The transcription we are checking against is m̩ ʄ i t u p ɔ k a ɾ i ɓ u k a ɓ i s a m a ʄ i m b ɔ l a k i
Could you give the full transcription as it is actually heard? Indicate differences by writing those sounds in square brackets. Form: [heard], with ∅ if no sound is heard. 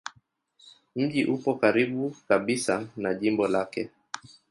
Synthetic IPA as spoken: m̩ ʄ i [ʔ] u p ɔ k a ɾ i ɓ u k a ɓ i s a [n] a ʄ i m b ɔ l a k [ɛ]